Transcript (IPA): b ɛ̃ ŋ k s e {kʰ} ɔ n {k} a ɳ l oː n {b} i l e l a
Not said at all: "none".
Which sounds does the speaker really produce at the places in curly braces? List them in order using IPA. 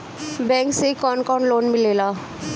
k, k, m

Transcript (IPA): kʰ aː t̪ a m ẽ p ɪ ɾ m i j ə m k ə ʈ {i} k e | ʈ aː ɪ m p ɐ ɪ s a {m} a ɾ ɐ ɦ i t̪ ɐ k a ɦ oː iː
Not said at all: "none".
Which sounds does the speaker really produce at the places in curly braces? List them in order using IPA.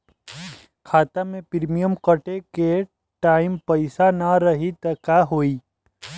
e, n

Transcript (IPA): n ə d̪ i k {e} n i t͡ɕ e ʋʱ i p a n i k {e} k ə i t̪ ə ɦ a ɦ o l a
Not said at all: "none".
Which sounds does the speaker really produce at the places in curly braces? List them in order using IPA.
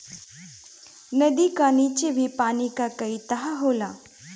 a, a

